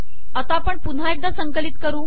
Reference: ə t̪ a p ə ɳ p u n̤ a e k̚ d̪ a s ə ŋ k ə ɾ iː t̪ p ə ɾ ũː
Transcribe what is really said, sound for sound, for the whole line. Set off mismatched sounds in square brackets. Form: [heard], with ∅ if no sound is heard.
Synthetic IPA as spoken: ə t̪ a p ə ɳ p u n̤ a e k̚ d̪ a s ə ŋ k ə [l] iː t̪ [k] ə ɾ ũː